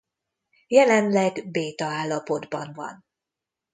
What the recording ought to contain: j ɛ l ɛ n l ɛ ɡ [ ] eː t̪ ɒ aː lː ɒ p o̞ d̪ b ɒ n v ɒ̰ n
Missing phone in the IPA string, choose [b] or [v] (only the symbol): b